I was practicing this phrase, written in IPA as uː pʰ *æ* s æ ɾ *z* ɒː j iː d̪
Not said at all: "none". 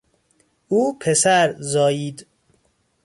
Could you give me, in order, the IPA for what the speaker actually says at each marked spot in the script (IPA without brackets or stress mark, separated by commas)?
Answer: e, z